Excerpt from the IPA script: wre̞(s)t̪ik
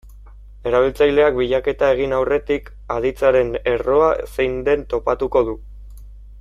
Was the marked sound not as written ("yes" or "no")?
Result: yes